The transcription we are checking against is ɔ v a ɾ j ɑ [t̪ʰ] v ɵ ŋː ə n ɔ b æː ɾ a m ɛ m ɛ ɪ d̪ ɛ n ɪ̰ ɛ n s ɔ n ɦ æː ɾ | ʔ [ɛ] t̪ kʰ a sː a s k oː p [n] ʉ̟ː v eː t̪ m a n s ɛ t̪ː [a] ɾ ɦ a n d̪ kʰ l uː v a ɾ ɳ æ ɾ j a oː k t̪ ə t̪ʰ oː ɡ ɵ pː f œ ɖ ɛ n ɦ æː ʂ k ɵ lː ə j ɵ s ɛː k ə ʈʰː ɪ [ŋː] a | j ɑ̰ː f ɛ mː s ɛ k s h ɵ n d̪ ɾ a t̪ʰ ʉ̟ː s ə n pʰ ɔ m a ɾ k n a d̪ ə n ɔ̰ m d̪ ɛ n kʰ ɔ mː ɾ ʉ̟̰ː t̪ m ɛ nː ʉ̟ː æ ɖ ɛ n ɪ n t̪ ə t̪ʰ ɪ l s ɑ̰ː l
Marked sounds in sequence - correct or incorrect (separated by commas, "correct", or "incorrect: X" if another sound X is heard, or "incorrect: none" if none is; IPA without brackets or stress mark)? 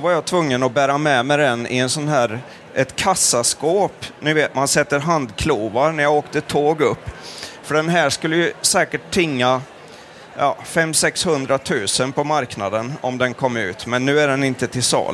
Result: correct, correct, correct, incorrect: ə, correct